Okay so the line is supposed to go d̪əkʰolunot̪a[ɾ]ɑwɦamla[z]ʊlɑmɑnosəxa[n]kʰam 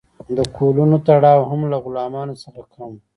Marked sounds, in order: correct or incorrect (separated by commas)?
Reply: incorrect, incorrect, incorrect